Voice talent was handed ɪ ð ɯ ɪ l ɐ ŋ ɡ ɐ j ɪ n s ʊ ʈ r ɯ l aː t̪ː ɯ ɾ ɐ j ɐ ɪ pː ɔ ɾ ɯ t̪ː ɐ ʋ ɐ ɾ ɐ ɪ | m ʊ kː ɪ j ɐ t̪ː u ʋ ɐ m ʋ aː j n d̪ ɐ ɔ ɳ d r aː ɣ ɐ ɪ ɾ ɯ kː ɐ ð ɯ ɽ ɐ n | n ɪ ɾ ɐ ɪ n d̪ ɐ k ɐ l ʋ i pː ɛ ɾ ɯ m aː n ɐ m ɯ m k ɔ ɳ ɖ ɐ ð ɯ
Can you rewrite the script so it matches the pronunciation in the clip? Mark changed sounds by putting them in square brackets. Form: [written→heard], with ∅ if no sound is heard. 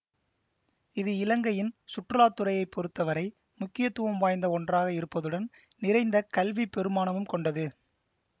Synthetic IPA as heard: ɪ ð ɯ ɪ l ɐ ŋ ɡ ɐ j ɪ n s ʊ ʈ r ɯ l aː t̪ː ɯ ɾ ɐ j ɐ ɪ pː ɔ ɾ ɯ t̪ː ɐ ʋ ɐ ɾ ɐ ɪ | m ʊ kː ɪ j ɐ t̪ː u ʋ ɐ m ʋ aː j n d̪ ɐ ɔ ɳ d r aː ɣ ɐ ɪ ɾ ɯ [kː→pː] ɐ ð ɯ ɽ ɐ n | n ɪ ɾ ɐ ɪ n d̪ ɐ k ɐ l ʋ i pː ɛ ɾ ɯ m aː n ɐ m ɯ m k ɔ ɳ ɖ ɐ ð ɯ